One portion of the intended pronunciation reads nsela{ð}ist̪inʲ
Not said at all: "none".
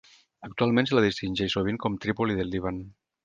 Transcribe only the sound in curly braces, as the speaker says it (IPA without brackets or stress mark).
ð